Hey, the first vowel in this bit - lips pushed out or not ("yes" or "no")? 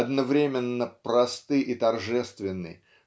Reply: no